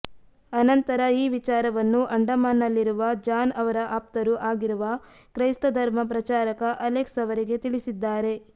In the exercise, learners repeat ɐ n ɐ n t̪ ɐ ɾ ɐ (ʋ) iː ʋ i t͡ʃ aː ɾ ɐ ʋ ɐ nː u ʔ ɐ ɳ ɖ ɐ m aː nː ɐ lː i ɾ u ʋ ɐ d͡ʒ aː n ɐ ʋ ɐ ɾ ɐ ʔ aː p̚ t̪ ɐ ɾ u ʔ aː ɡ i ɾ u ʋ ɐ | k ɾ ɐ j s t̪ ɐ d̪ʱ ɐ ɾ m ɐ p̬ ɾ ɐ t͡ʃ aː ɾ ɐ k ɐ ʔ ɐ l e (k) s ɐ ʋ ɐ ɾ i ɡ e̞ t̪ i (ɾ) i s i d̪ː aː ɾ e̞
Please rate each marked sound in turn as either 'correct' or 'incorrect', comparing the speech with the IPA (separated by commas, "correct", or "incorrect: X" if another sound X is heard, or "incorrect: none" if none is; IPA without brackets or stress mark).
incorrect: none, correct, incorrect: ɭ